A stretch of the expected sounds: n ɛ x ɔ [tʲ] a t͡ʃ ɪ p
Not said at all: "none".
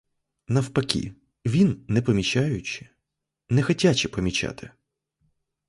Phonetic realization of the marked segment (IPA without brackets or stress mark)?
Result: tʲ